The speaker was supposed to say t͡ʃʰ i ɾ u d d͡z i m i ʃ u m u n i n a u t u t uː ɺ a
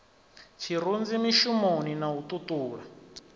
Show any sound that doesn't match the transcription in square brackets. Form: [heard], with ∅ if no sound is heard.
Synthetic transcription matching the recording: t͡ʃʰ i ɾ u [n] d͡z i m i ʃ u m [o] n i n a u t u t uː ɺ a

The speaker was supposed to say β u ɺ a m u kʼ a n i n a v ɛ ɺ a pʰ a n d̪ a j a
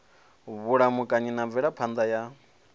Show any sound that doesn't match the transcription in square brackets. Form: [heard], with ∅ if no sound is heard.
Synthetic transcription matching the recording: β u ɺ a m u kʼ a [ɲ] i n a v ɛ ɺ a pʰ a n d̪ a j a

